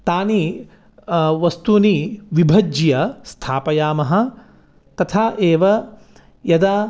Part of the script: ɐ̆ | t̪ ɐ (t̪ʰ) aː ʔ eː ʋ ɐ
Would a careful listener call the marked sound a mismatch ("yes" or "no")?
no